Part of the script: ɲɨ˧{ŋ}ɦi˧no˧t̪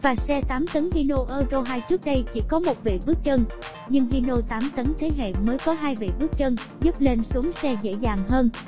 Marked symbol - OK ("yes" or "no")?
yes